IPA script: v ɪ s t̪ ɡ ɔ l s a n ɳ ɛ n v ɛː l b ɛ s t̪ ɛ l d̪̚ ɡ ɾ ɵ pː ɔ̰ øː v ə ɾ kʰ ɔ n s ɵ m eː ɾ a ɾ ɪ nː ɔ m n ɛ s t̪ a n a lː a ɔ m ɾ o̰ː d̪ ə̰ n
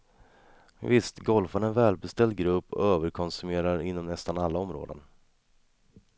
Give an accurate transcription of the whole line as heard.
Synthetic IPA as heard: v ɪ s t̪ ɡ ɔ l f a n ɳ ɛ n v ɛː l b ɛ s t̪ ɛ l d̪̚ ɡ ɾ ɵ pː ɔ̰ øː v ə ɾ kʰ ɔ n s ɵ m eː ɾ a ɾ ɪ nː ɔ m n ɛ s t̪ a n a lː a ɔ m ɾ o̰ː d̪ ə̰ n